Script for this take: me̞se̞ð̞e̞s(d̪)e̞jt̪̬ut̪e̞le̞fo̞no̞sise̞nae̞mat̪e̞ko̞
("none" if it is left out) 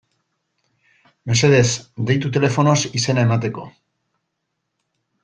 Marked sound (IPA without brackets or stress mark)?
d̪